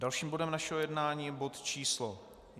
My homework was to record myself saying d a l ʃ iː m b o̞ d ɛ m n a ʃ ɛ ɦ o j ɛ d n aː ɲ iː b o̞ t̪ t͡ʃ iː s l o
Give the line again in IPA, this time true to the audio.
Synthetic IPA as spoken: d a l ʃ iː m b o̞ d ɛ m n a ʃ ɛ ɦ o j ɛ d n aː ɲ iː b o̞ t̪ t͡ʃ iː s l o